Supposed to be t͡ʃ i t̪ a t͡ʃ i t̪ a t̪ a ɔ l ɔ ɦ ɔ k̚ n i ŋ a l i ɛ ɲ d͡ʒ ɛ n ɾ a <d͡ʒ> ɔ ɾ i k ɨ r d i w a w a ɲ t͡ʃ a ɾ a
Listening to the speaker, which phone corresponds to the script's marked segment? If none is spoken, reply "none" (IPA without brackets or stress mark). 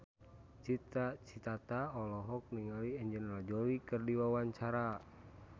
d͡ʒ